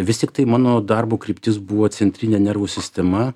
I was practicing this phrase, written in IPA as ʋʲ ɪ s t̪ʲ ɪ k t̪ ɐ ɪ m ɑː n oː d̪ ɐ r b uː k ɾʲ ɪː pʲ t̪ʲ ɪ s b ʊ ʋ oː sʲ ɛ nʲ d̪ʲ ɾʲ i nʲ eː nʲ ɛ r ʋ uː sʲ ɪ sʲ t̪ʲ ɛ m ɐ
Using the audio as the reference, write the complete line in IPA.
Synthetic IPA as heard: ʋʲ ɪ s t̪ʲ ɪ k t̪ ɐ ɪ m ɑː n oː d̪ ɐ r b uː k ɾʲ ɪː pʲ t̪ʲ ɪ s b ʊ ʋ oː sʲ ɛ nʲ t̪ʲ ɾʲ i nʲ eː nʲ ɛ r ʋ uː sʲ ɪ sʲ t̪ʲ ɛ m ɐ